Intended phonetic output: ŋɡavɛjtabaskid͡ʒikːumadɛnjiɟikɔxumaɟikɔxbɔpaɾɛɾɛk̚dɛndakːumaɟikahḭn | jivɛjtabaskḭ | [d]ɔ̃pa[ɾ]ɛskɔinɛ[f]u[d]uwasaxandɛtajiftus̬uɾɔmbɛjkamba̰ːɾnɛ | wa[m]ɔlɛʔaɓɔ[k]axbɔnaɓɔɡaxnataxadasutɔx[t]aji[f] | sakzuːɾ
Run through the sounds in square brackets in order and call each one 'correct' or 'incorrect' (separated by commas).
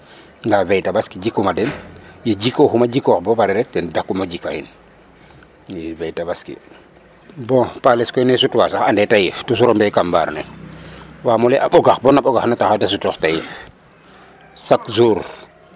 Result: incorrect, incorrect, incorrect, incorrect, correct, incorrect, correct, correct